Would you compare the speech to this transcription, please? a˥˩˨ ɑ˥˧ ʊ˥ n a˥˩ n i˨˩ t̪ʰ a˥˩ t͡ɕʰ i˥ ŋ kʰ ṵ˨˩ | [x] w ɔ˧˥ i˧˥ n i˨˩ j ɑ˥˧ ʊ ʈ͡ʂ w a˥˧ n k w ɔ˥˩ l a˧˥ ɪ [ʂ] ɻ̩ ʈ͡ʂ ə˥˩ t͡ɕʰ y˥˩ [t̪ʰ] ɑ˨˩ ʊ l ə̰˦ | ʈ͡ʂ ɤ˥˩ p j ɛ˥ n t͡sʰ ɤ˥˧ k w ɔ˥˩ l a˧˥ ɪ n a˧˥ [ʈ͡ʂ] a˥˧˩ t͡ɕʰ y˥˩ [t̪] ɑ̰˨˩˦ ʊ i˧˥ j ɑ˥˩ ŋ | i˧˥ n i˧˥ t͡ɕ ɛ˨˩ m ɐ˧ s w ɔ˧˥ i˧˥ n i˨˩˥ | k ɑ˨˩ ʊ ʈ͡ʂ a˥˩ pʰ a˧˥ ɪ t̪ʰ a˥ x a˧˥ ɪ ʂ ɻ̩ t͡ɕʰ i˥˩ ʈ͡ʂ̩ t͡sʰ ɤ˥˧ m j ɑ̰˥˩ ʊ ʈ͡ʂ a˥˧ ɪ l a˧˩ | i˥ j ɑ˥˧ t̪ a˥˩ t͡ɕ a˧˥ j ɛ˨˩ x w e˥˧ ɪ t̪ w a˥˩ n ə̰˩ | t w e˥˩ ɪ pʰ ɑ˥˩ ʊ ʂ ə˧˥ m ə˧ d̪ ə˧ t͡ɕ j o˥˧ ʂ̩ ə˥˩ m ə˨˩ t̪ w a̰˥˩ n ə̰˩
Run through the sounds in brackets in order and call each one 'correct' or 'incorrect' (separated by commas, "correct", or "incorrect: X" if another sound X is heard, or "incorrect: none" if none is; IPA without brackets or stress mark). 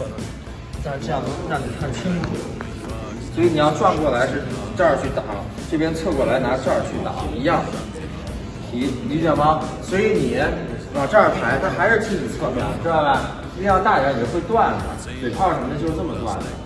incorrect: s, correct, incorrect: t̪, correct, correct